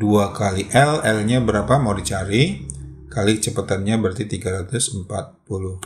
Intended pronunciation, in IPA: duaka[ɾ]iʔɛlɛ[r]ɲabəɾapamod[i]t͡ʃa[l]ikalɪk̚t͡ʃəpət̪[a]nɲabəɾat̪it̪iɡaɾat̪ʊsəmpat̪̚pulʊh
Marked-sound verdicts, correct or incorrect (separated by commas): incorrect, incorrect, correct, incorrect, correct